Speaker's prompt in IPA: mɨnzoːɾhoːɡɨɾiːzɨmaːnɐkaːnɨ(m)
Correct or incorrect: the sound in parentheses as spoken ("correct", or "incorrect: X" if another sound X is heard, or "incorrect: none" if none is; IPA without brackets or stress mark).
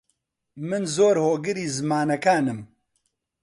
correct